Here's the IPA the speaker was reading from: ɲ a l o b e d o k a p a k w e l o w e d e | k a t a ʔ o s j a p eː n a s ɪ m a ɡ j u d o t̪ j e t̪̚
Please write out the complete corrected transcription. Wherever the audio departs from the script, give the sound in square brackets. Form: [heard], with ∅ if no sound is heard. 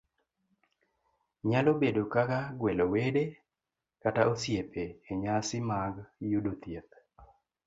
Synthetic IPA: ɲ a l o b e d o k a [k] a [ɡ] w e l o w e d e | k a t a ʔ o s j [e] p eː [ɲ] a s ɪ m a ɡ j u d o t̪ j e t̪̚